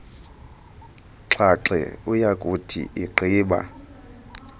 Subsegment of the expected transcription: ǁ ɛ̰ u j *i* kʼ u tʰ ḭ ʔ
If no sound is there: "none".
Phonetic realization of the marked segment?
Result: a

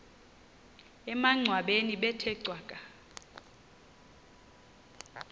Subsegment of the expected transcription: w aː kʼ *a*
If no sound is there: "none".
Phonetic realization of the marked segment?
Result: a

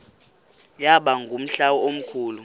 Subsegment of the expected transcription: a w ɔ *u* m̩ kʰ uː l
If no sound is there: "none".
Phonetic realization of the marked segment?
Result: o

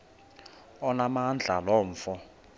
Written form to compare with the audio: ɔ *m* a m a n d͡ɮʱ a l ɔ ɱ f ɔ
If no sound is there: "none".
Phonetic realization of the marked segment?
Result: n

